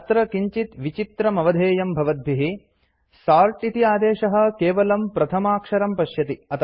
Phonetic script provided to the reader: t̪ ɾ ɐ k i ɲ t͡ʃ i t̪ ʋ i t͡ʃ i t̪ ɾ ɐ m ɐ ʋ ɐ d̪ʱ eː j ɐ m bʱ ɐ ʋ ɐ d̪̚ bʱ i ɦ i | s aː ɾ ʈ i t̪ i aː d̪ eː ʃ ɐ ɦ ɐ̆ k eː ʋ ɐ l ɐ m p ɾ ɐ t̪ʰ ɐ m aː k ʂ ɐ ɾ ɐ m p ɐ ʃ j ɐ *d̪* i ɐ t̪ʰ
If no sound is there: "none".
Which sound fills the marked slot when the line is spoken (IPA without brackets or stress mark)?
t̪